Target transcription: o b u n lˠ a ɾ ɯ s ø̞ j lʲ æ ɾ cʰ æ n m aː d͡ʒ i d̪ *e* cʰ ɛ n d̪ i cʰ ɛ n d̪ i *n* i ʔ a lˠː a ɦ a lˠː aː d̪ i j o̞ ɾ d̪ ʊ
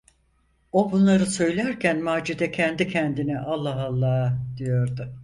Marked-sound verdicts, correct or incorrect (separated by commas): incorrect, correct